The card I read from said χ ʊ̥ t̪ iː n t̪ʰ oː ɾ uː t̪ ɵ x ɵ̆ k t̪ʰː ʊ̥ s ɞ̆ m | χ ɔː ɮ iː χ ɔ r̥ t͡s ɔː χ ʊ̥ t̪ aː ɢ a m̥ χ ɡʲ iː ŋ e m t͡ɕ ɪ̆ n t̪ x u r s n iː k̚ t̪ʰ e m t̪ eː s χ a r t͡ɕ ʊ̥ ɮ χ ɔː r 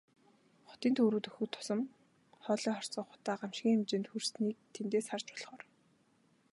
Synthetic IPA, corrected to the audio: χ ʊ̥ t̪ iː n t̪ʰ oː ɾ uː t̪ ɵ x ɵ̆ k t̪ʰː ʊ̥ s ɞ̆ m | χ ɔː ɮ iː χ ɔ r̥ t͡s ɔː χ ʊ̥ t̪ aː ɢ a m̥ ʃ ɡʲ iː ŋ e m t͡ɕ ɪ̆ n t̪ x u r s n iː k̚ t̪ʰ e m t̪ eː s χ a r t͡ɕ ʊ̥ ɮ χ ɔː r